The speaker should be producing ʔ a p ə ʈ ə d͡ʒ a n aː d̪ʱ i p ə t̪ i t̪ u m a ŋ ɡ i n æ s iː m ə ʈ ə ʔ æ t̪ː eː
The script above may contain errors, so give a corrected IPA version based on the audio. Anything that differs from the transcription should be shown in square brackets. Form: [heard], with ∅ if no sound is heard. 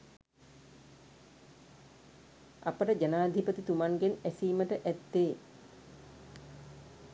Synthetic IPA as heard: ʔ a p ə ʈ ə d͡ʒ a n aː d̪ʱ i p ə t̪ i t̪ u m a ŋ ɡ [e] n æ s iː m ə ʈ ə ʔ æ t̪ː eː